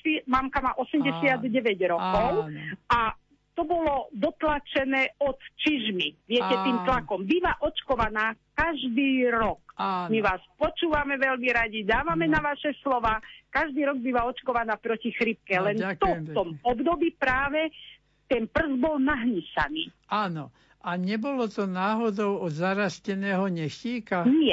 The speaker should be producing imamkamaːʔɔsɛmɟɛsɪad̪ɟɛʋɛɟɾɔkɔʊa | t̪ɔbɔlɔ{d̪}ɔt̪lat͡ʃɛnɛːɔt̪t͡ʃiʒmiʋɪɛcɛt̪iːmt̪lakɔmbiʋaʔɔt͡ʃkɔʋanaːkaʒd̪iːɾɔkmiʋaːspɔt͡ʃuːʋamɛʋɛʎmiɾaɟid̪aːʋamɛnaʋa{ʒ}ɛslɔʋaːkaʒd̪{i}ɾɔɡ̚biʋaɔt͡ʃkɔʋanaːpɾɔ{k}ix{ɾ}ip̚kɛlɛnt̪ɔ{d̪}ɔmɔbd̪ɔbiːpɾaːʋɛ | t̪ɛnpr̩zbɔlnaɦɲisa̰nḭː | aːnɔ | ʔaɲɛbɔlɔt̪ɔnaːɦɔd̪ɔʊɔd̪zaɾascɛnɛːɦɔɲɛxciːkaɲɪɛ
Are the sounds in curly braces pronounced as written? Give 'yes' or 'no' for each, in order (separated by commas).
yes, no, no, no, yes, no